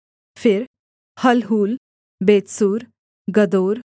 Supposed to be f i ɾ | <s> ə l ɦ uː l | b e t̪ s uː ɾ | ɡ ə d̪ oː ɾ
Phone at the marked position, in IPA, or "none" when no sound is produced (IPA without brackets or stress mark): h